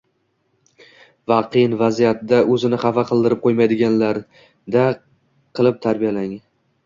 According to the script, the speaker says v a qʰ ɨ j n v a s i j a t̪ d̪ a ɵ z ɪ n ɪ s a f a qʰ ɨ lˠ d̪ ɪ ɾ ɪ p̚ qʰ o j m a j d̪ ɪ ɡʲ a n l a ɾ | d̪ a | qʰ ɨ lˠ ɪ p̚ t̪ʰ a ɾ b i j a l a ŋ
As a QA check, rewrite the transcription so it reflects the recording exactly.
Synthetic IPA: v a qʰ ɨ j n v a z i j a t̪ d̪ a ɵ z ɪ n ɪ χ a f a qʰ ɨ lˠ d̪ ɪ ɾ ɪ p̚ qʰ o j m a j d̪ ɪ ɡʲ a n l a ɾ | d̪ a | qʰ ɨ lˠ ɪ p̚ t̪ʰ a ɾ b i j a l a ŋ